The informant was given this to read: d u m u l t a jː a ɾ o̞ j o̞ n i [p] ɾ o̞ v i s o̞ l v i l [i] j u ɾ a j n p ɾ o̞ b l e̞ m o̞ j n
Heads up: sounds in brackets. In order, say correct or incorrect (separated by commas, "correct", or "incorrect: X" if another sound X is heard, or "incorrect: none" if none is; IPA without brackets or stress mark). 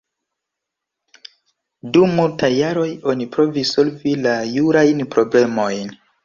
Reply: correct, incorrect: a